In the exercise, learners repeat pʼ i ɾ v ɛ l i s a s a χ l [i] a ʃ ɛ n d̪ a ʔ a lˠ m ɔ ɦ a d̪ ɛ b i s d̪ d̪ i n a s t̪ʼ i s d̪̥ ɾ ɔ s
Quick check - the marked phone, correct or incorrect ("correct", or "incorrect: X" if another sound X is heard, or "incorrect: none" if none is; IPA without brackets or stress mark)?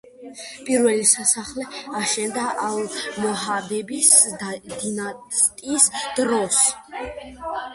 incorrect: ɛ